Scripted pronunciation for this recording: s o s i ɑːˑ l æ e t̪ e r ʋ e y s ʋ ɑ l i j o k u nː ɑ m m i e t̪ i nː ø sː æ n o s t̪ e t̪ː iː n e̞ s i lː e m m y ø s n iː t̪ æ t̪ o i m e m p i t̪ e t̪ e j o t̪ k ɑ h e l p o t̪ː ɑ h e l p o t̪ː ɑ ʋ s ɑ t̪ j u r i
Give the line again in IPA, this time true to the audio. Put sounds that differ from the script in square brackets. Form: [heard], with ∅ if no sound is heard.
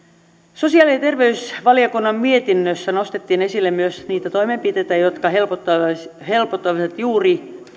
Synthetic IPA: s o s i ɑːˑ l [i] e t̪ e r ʋ e y s ʋ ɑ l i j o k u nː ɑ m m i e t̪ i nː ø sː æ n o s t̪ e t̪ː iː n e̞ s i lː e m m y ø s n iː t̪ æ t̪ o i m e m p i t̪ e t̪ [æ] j o t̪ k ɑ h e l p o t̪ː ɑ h e l p o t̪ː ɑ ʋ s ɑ t̪ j [uː] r i